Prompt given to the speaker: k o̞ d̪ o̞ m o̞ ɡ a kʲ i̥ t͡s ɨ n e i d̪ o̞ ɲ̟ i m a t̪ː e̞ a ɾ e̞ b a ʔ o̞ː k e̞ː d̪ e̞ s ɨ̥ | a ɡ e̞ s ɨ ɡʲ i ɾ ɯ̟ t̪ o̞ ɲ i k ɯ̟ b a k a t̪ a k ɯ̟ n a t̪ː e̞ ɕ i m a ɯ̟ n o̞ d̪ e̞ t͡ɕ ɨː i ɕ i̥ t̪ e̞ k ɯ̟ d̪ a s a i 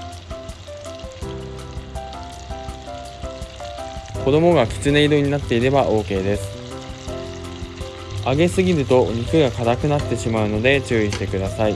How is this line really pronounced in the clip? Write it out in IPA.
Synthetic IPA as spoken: k o̞ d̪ o̞ m o̞ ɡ a kʲ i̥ t͡s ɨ n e i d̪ o̞ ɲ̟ i n a t̪ː e̞ i ɾ e̞ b a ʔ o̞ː k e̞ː d̪ e̞ s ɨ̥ | a ɡ e̞ s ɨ ɡʲ i ɾ ɯ̟ t̪ o̞ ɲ i k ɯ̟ ɡ a k a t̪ a k ɯ̟ n a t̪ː e̞ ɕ i m a ɯ̟ n o̞ d̪ e̞ t͡ɕ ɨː i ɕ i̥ t̪ e̞ k ɯ̟ d̪ a s a i

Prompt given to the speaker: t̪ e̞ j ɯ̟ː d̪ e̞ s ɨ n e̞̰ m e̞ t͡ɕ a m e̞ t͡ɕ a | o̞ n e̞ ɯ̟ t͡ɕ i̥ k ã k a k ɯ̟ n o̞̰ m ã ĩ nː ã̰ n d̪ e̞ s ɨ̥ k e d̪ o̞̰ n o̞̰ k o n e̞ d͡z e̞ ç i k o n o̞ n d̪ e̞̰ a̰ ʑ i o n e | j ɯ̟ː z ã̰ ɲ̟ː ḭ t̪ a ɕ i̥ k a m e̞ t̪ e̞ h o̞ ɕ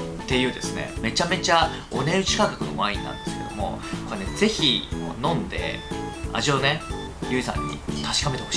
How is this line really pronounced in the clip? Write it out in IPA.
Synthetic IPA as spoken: t̪ e̞ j ɯ̟ː d̪ e̞ s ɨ n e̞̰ m e̞ t͡ɕ a m e̞ t͡ɕ a | o̞ n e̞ ɯ̟ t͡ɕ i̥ k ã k a k ɯ̟ n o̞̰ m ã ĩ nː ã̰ n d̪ e̞ s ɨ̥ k e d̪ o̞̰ m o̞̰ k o n e̞ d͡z e̞ ç i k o n õ̞ n d̪ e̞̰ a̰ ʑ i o n e | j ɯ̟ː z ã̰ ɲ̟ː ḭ t̪ a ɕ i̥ k a m e̞ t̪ e̞ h o̞ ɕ

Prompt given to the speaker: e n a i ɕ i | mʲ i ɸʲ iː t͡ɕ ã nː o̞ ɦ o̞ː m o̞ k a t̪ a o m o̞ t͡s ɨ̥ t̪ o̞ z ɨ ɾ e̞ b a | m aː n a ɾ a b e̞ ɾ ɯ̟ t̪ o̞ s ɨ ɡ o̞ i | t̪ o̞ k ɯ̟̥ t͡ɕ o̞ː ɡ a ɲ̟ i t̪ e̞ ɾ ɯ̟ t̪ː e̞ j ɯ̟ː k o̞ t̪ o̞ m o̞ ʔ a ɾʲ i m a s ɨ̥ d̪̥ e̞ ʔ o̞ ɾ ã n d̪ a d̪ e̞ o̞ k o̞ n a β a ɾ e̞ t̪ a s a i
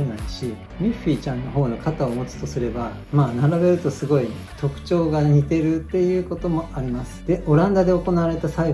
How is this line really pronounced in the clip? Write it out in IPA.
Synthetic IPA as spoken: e n a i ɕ i | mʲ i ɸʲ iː t͡ɕ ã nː o̞ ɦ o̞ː n o̞ k a t̪ a o m o̞ t͡s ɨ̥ t̪ o̞ s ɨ ɾ e̞ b a | m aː n a ɾ a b e̞ ɾ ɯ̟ t̪ o̞ s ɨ ɡ o̞ i | t̪ o̞ k ɯ̟̥ t͡ɕ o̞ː ɡ a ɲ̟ i t̪ e̞ ɾ ɯ̟ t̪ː e̞ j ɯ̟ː k o̞ t̪ o̞ m o̞ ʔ a ɾʲ i m a s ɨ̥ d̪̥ e̞ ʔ o̞ ɾ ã n d̪ a d̪ e̞ o̞ k o̞ n a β a ɾ e̞ t̪ a s a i

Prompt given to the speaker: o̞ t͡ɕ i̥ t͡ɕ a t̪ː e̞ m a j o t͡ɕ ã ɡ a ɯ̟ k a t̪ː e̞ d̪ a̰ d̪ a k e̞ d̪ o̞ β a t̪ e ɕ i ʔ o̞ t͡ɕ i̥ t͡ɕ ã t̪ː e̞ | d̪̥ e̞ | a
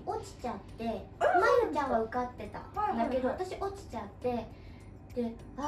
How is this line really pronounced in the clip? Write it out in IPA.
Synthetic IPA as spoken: o̞ t͡ɕ i̥ t͡ɕ a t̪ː e̞ m a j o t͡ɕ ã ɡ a ɯ̟ k a t̪ː e̞ t̪ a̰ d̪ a k e̞ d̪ o̞ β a t̪ a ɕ i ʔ o̞ t͡ɕ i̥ t͡ɕ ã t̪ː e̞ | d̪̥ e̞ | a

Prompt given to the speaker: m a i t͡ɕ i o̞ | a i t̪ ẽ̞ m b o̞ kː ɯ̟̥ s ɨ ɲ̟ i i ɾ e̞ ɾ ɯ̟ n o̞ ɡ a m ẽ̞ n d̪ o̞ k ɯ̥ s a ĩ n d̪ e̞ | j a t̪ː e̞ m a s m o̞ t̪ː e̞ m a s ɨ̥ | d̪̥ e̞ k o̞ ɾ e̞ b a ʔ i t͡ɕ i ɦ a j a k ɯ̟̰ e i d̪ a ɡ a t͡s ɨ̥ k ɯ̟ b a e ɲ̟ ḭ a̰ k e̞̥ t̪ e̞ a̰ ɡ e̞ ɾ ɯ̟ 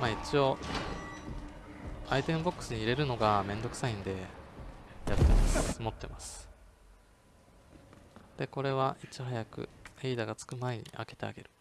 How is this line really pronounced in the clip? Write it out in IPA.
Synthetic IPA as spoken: m a i t͡ɕ i o̞ | a i t̪ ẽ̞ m b o̞ kː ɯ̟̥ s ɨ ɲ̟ i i ɾ e̞ ɾ ɯ̟ n o̞ ɡ a m ẽ̞ n d̪ o̞ k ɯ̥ s a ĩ n d̪ e̞ | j a t̪ː e̞ m a s m o̞ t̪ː e̞ m a s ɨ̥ | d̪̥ e̞ k o̞ ɾ e̞ β a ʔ i t͡ɕ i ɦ a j a k ɯ̟̰ e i d̪ a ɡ a t͡s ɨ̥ k ɯ̟ m a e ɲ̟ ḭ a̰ k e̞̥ t̪ e̞ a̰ ɡ e̞ ɾ ɯ̟

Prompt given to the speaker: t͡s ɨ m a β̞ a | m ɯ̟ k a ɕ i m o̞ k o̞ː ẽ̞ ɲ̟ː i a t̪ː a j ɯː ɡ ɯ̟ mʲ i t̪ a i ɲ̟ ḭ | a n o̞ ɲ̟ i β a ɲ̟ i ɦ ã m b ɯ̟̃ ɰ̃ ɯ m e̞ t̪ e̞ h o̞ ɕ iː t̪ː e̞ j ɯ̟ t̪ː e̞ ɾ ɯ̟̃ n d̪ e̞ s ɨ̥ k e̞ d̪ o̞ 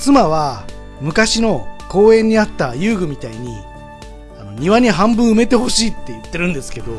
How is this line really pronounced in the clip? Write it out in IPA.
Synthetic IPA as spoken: t͡s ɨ m a β̞ a | m ɯ̟ k a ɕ i n o̞ k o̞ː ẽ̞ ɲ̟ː i a t̪ː a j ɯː ɡ ɯ̟ mʲ i t̪ a i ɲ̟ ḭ | a n o̞ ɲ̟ i β a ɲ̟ i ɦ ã m b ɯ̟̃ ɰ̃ ɯ m e̞ t̪ e̞ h o̞ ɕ iː t̪ː e̞ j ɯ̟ t̪ː e̞ ɾ ɯ̟̃ n d̪ e̞ s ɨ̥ k e̞ d̪ o̞

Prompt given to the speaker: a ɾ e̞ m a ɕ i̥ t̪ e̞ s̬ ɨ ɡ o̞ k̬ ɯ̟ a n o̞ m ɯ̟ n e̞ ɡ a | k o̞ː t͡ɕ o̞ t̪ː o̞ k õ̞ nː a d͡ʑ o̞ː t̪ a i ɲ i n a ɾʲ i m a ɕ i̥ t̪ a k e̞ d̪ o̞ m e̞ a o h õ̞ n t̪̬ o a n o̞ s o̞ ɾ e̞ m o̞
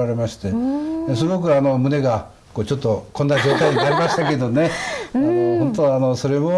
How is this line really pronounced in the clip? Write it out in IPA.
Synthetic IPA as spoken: a ɾ e̞ m a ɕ i̥ t̪ e̞ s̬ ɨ ɡ o̞ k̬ ɯ̟ a n o̞ m ɯ̟ n e̞ ɡ a | k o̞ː t͡ɕ o̞ t̪ː o̞ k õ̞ nː a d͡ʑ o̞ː t̪ a i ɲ i n a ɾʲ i m a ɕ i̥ t̪ a k e̞ d̪ o̞ n e̞ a o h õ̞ n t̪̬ o a n o̞ s o̞ ɾ e̞ m o̞

